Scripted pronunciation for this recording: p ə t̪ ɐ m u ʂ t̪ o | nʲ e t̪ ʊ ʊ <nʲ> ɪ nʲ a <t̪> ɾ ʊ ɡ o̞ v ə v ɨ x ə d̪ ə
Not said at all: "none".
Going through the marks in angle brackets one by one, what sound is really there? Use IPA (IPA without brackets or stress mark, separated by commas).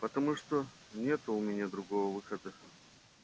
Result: mʲ, d̪